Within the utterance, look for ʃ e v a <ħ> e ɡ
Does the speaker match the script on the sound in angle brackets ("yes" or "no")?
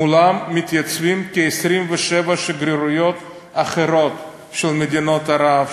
no